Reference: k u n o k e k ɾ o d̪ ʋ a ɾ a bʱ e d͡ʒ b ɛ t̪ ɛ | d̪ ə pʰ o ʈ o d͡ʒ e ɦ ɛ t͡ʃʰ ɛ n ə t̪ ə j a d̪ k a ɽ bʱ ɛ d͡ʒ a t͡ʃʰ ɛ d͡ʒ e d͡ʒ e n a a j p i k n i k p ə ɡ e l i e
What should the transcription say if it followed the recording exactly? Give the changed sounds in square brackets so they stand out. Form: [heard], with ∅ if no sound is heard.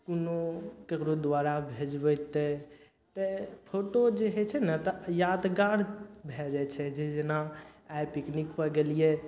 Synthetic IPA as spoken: k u n o k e k ɾ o d̪ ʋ a ɾ a bʱ e d͡ʒ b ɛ t̪ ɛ | [t̪] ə pʰ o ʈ o d͡ʒ e ɦ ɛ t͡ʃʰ ɛ n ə t̪ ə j a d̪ [ɡ] a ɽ bʱ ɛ d͡ʒ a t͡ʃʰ ɛ d͡ʒ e d͡ʒ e n a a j p i k n i k p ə ɡ e l i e